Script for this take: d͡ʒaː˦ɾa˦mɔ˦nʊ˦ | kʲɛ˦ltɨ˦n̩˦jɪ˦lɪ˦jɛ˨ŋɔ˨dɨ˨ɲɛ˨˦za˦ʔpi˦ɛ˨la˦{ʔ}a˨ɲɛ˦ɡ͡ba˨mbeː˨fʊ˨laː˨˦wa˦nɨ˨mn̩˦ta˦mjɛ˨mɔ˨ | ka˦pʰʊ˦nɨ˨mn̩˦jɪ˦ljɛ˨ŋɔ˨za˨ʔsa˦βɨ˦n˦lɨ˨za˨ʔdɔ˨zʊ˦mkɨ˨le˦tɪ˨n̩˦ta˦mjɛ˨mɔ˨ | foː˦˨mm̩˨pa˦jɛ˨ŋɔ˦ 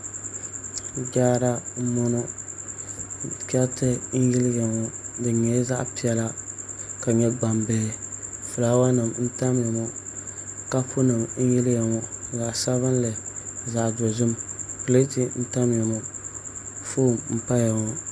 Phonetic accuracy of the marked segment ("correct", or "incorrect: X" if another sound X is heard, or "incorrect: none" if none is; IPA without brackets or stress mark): incorrect: k